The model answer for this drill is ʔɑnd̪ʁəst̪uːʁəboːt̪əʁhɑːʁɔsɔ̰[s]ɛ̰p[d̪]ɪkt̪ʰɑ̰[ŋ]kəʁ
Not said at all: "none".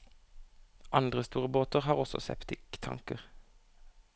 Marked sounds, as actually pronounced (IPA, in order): s, t̪, ŋ

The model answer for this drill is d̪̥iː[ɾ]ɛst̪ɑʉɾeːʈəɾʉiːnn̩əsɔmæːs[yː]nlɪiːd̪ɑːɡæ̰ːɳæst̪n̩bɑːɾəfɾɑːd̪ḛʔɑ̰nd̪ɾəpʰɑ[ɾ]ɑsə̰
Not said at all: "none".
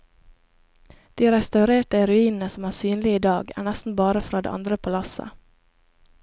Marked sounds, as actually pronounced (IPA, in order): ɾ, yː, l

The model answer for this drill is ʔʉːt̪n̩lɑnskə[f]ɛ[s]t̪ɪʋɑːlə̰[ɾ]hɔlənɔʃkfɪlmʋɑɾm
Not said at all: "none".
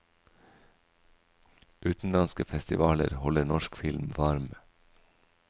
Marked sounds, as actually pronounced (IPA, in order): f, s, ɾ

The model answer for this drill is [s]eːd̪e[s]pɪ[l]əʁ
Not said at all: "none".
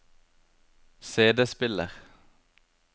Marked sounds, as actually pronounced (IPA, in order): s, s, l

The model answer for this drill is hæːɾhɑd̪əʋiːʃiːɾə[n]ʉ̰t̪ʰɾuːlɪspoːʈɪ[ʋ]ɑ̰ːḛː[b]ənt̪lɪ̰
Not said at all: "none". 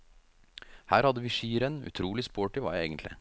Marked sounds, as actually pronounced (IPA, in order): n, ʋ, ɡ

